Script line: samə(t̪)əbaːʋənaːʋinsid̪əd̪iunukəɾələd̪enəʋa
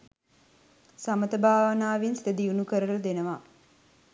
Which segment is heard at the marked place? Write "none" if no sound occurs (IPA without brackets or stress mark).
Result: t̪